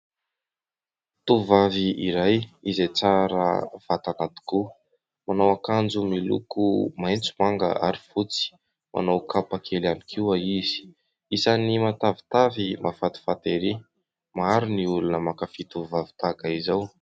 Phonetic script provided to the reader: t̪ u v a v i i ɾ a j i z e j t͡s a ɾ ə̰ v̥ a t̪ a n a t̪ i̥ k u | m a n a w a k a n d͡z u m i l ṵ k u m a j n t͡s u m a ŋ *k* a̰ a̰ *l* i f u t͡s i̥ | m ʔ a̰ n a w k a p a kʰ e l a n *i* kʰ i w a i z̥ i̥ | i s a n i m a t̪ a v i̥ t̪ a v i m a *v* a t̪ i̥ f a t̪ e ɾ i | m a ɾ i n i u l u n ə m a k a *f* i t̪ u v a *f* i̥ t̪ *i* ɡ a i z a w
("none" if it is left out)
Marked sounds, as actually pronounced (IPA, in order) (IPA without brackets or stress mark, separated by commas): ɡ, ɾ, i, f, f, v, a